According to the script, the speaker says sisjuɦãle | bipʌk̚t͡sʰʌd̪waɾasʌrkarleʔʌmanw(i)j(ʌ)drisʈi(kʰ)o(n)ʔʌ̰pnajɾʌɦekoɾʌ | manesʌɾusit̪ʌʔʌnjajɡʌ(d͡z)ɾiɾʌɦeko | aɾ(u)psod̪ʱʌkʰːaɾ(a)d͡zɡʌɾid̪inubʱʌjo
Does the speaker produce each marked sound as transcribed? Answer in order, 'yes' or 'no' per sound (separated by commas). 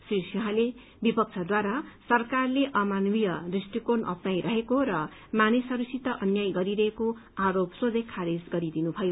yes, yes, no, yes, no, no, no